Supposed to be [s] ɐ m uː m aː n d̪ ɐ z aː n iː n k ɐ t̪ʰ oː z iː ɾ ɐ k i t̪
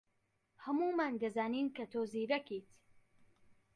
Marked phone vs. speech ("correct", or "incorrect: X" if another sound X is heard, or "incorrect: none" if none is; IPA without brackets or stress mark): incorrect: h